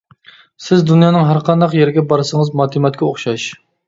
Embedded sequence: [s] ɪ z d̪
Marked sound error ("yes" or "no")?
no